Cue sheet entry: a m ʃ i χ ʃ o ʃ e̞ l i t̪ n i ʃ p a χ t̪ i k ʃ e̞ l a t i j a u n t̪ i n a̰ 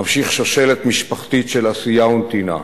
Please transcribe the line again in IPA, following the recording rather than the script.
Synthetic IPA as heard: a m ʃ i χ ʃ o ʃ e̞ l e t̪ m i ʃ p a χ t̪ i t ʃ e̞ l a s i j a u n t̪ i n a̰